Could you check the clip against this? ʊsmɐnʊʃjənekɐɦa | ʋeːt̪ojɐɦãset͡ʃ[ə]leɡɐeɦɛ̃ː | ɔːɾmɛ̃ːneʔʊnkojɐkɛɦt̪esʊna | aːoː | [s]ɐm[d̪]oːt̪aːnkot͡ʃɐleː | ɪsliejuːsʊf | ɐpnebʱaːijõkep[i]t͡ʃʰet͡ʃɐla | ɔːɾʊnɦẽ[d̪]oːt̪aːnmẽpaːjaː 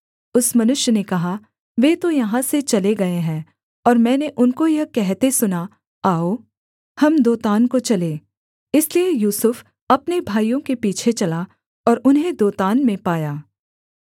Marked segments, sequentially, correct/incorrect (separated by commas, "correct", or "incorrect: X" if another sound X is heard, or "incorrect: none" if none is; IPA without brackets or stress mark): incorrect: ɐ, incorrect: h, correct, incorrect: iː, correct